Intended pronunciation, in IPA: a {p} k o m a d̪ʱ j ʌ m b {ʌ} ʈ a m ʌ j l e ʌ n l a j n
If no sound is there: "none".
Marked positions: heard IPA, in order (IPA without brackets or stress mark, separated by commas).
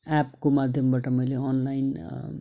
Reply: p, a